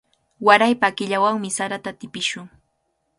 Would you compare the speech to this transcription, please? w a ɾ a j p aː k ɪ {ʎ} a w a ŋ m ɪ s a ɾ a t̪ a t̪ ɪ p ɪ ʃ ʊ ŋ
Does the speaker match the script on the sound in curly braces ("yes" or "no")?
yes